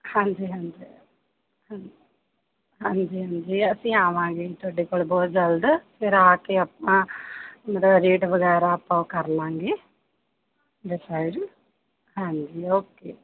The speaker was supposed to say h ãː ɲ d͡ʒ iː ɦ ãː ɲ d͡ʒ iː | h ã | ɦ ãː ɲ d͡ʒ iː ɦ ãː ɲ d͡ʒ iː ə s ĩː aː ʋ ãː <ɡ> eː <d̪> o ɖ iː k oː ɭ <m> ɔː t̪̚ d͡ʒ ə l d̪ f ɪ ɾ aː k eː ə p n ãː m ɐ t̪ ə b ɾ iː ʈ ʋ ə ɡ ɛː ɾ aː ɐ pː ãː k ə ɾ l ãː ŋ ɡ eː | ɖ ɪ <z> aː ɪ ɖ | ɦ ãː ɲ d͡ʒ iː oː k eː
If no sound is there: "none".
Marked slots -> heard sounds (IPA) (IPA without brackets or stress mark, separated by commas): ɡ, t̪, b, s